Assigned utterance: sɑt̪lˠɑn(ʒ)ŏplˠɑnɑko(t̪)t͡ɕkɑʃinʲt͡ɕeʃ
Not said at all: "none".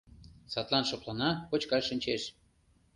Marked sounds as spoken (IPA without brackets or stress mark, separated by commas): ʃ, none